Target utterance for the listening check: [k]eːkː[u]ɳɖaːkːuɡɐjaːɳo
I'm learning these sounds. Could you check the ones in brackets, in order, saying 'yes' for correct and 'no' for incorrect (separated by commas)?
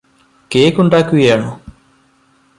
yes, yes